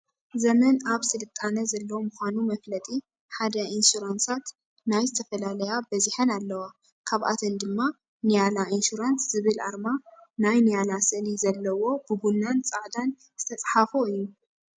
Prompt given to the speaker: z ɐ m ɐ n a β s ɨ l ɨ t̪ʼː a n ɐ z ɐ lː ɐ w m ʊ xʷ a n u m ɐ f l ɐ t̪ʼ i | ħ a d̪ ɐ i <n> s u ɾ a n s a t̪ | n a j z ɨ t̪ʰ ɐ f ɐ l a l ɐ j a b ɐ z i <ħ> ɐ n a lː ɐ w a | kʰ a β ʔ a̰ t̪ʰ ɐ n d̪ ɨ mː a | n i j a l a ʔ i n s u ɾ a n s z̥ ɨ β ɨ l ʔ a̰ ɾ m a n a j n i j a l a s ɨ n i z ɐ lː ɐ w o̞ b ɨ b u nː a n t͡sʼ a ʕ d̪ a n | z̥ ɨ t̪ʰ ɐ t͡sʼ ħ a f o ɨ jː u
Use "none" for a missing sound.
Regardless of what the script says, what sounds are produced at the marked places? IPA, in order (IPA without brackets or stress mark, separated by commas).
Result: n, ħ